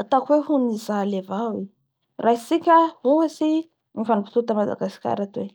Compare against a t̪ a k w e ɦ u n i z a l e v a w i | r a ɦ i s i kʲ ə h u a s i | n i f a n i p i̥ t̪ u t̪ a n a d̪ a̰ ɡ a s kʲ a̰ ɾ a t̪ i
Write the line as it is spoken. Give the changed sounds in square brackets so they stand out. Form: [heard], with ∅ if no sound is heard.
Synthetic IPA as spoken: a t̪ a k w e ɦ u n i z a l e v a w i | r a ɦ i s i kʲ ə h u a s i | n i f a n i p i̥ t̪ u t̪ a [m] a d̪ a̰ ɡ a s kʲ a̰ ɾ a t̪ [e]